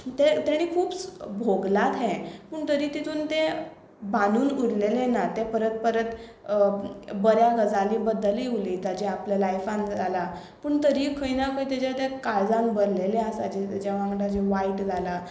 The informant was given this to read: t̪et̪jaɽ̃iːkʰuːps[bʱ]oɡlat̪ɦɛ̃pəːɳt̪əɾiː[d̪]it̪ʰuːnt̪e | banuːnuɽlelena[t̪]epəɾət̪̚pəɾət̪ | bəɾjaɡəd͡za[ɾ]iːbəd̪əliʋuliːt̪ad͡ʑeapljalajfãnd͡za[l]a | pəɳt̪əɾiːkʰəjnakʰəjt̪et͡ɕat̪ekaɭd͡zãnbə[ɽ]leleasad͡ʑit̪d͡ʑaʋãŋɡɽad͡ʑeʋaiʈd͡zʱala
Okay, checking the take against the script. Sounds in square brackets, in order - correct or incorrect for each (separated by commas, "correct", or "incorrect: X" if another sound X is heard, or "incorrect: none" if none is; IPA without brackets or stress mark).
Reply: correct, incorrect: t̪, correct, incorrect: l, correct, incorrect: ɾ